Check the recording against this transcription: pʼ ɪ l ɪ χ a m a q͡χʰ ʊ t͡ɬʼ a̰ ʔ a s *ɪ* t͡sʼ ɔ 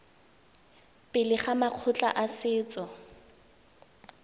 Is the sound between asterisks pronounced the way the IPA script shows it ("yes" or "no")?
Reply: no